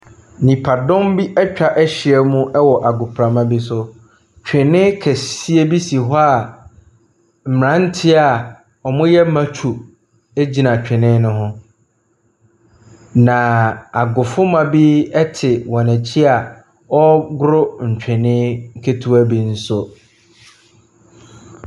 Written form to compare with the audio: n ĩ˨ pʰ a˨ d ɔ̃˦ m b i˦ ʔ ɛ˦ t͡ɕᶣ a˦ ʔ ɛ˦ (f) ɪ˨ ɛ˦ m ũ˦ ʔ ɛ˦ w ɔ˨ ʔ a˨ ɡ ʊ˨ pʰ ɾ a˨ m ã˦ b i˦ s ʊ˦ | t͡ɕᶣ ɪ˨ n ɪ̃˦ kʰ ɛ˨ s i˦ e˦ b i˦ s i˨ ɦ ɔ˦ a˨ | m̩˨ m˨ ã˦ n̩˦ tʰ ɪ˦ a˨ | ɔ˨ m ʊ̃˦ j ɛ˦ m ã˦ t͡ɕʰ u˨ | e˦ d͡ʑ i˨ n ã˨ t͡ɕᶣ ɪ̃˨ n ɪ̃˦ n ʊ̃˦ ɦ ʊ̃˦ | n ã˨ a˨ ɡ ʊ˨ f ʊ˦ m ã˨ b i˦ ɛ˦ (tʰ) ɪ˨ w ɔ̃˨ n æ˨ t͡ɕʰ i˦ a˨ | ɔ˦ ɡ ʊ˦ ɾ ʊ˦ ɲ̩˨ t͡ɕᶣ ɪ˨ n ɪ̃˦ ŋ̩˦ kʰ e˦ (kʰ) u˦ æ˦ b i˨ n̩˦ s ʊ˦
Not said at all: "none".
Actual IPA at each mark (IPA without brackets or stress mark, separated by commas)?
ɕ, tʰ, tʰ